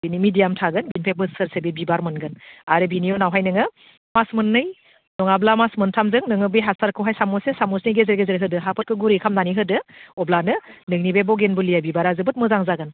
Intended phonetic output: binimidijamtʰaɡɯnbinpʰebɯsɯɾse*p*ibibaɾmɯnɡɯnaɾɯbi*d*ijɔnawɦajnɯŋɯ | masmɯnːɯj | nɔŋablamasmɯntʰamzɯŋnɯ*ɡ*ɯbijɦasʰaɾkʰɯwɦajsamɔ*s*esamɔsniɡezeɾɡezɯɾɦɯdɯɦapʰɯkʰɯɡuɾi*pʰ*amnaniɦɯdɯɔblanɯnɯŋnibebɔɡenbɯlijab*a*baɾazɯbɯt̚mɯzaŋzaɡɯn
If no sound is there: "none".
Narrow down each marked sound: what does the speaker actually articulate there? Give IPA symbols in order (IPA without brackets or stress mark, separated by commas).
b, n, ŋ, s, kʰ, i